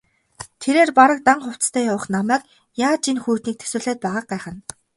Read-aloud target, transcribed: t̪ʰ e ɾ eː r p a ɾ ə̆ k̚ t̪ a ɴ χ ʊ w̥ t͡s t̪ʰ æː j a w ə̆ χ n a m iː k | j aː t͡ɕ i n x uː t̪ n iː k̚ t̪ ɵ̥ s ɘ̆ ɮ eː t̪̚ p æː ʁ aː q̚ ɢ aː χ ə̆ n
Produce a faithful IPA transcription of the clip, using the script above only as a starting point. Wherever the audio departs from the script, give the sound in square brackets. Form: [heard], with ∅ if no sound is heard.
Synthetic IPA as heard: t̪ʰ e ɾ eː r p a ɾ ə̆ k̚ t̪ a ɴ χ ʊ w̥ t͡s t̪ʰ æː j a w ə̆ χ n a m [æː] k | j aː t͡ɕ i n x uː t̪ n iː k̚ [t̪ʰ] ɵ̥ s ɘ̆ ɮ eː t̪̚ p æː ʁ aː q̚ ɢ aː χ ə̆ n